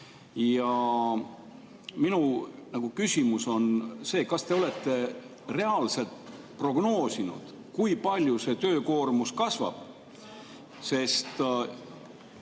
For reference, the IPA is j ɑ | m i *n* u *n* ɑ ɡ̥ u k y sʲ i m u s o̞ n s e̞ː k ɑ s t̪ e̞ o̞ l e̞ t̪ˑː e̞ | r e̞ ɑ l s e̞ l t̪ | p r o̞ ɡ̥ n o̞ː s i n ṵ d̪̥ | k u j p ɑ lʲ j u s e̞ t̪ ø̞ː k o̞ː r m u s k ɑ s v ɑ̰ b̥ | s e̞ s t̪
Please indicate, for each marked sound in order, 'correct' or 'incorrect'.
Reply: correct, correct

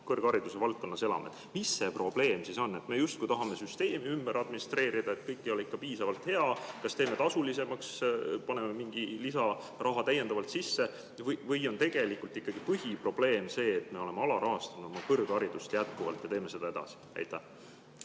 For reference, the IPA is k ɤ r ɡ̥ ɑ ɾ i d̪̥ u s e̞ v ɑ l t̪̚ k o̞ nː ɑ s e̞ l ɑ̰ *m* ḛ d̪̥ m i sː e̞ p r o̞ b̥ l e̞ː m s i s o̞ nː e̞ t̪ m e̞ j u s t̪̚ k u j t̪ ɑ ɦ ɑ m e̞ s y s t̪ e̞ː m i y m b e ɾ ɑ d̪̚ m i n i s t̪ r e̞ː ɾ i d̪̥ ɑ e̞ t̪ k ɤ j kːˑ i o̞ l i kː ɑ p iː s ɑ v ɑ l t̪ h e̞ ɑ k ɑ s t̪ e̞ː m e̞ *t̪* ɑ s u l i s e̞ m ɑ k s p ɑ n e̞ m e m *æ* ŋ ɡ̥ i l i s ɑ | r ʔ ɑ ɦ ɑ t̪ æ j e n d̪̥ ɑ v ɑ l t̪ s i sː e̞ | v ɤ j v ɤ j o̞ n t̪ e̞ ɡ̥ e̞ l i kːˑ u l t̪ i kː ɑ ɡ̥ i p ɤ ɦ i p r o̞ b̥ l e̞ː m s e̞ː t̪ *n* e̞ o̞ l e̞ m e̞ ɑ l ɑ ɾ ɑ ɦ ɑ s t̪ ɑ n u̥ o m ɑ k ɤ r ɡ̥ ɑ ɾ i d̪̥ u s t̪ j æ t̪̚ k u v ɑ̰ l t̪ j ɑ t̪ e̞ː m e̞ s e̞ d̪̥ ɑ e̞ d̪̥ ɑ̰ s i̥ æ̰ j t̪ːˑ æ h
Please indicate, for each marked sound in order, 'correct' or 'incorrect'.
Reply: correct, correct, incorrect: i, incorrect: m

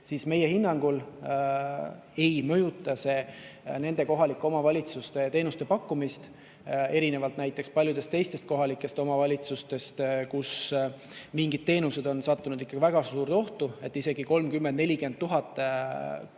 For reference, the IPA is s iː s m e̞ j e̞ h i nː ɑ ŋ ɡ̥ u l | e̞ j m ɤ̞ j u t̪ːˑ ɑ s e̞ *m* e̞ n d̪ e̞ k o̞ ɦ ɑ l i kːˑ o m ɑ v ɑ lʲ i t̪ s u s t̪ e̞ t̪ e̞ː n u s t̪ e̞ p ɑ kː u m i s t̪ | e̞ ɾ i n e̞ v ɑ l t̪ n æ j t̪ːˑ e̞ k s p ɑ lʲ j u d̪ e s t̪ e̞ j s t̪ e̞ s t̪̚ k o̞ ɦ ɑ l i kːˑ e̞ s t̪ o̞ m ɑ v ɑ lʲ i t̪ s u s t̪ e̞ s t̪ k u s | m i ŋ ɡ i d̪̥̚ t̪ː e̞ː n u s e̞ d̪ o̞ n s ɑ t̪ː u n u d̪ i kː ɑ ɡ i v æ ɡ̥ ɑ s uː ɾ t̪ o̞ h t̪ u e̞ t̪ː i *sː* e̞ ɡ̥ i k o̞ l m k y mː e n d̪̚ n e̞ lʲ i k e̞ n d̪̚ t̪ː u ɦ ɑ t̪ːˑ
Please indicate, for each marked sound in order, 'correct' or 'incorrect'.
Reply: incorrect: n, incorrect: s

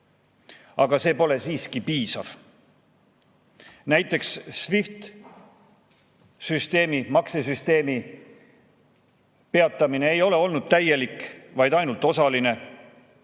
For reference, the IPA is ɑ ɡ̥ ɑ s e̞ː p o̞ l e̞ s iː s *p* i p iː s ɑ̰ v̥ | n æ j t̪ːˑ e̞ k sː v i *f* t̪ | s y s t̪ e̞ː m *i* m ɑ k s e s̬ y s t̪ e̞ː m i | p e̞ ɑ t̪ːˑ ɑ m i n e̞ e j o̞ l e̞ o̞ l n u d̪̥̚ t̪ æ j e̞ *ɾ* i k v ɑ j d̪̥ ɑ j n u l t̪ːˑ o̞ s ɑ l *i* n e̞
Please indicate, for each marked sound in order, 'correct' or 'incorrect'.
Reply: incorrect: k, correct, correct, incorrect: l, correct

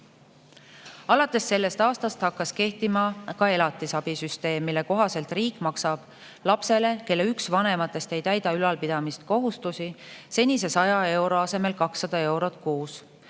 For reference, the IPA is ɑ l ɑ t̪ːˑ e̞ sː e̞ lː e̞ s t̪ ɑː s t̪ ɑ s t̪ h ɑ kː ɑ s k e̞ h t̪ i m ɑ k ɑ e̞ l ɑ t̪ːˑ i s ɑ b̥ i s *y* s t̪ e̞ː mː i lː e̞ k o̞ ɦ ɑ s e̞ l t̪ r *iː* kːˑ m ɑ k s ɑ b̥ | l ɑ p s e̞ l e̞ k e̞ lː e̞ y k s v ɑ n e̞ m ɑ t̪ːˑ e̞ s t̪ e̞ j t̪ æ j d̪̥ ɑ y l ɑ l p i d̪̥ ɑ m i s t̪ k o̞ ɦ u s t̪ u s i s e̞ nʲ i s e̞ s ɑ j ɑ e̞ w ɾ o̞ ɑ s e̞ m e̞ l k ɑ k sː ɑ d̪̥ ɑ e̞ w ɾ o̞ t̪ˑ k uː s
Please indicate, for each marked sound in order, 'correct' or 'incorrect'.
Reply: correct, correct

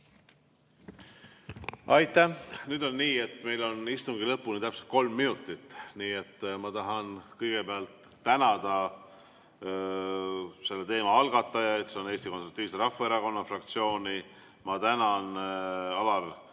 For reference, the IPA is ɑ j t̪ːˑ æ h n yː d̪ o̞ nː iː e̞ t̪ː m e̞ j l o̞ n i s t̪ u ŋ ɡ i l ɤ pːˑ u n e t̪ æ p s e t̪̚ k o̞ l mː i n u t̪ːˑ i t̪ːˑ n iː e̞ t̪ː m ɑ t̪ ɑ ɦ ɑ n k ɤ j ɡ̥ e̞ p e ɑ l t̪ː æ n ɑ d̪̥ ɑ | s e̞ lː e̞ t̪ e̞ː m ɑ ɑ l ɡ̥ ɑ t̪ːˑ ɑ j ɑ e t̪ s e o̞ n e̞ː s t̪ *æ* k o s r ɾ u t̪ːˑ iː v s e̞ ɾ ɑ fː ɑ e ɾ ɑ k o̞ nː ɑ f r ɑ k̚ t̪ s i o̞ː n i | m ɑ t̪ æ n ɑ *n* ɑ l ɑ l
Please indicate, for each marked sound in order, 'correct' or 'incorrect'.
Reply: incorrect: i, correct

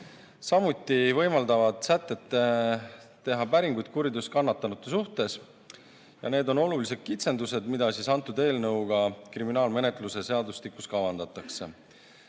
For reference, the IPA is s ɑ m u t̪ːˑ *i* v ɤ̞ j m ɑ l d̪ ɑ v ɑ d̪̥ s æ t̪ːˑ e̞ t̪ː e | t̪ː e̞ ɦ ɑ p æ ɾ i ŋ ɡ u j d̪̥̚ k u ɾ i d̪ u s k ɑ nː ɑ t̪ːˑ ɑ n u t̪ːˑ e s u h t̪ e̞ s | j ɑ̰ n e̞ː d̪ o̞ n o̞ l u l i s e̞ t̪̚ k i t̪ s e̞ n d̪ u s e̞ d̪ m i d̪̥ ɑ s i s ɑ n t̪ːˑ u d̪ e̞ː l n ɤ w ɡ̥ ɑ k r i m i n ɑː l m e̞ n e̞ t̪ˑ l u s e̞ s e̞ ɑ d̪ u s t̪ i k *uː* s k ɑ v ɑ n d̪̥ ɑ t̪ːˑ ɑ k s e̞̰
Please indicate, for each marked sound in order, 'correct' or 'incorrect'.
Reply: correct, incorrect: u

